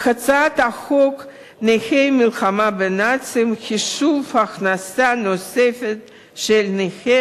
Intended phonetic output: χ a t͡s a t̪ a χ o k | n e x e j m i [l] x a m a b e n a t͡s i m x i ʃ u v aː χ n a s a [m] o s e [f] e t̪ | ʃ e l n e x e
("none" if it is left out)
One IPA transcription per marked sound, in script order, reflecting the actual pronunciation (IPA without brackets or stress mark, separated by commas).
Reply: l, n, f